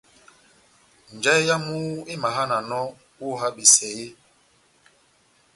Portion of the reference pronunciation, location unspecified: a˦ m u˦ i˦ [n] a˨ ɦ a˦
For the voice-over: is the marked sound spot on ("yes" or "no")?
no